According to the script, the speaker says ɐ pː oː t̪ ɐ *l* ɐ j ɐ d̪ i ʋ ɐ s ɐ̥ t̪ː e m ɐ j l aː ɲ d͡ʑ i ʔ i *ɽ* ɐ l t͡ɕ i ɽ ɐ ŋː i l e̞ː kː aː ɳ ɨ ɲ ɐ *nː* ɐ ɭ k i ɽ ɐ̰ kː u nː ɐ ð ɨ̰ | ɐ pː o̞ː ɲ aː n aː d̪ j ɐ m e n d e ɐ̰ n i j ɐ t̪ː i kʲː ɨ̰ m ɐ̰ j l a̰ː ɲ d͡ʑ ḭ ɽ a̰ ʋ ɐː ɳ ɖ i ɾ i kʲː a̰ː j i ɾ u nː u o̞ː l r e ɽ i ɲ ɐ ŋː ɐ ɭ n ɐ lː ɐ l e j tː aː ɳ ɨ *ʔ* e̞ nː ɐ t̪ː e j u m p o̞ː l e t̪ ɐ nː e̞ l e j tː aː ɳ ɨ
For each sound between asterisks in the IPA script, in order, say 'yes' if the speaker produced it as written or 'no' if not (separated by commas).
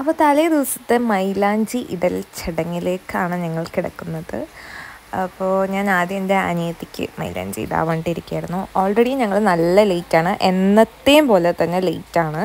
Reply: yes, yes, no, yes